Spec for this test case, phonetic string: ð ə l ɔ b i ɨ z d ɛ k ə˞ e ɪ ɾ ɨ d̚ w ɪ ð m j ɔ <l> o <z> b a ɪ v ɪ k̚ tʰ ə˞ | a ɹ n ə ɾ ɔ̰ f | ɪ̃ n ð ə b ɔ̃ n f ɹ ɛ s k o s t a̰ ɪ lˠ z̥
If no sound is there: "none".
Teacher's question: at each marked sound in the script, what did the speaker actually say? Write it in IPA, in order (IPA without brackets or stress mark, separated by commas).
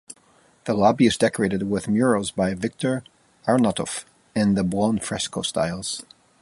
ɹ, z